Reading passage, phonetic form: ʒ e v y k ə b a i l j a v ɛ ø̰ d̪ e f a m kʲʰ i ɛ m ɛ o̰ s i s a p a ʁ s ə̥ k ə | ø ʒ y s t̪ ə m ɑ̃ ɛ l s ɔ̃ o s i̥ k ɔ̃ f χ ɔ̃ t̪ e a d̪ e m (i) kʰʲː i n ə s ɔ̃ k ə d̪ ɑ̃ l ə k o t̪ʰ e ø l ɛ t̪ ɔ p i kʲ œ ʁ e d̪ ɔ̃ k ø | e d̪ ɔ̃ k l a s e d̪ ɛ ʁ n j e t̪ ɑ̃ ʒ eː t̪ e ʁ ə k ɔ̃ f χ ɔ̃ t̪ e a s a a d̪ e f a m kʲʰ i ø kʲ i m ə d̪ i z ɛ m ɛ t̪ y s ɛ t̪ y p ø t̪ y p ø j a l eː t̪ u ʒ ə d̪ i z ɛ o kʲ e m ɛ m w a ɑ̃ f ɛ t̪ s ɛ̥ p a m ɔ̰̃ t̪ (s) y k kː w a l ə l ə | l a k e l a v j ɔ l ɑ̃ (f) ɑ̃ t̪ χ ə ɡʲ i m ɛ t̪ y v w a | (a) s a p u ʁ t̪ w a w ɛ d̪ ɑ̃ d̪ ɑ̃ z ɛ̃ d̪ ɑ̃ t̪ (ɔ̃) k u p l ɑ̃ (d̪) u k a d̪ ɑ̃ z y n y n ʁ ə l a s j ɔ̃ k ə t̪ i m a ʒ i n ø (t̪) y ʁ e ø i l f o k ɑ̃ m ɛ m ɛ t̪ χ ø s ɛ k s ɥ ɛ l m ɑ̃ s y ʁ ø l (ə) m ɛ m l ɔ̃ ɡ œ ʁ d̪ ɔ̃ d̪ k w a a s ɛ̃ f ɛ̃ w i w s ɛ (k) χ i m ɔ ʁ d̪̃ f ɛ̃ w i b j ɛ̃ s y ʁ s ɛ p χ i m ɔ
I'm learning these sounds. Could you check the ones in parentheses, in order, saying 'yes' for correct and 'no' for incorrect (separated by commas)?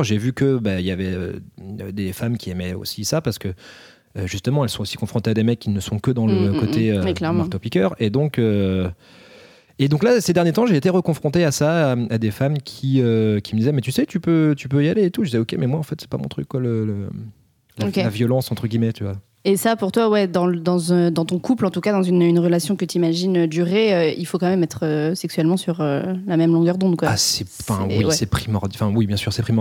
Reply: no, no, no, no, yes, no, no, no, no